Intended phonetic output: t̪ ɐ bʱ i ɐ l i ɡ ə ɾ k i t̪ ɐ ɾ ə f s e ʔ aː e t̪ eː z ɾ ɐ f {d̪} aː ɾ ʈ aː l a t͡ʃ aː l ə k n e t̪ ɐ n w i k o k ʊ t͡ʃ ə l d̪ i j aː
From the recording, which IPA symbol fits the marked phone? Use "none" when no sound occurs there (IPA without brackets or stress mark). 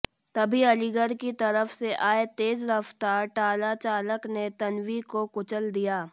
t̪